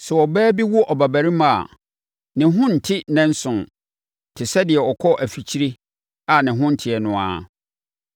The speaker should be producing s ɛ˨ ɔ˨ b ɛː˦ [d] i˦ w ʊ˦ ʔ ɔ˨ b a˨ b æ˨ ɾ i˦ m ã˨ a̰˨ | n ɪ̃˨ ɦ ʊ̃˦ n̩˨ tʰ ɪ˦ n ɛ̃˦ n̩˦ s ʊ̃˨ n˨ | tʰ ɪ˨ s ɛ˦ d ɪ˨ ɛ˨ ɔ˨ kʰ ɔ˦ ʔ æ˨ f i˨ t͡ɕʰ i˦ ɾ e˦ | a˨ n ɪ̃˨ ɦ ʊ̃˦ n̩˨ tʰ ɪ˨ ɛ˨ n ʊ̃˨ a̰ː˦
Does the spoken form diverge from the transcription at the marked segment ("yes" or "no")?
yes